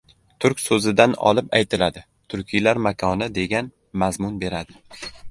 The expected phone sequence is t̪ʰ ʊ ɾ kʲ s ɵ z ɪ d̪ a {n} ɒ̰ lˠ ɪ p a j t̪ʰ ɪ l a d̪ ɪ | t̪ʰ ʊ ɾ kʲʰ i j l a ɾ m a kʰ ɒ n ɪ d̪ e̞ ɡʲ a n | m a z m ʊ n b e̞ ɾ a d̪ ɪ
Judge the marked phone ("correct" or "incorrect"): correct